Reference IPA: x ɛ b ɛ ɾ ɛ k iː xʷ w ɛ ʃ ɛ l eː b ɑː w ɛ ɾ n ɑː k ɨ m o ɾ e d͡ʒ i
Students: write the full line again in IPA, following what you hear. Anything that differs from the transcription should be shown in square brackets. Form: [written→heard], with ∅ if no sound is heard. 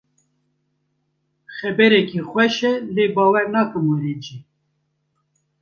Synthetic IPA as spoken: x ɛ b ɛ ɾ ɛ k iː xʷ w ɛ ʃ ɛ l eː b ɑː w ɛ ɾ n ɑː k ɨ m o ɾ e d͡ʒ i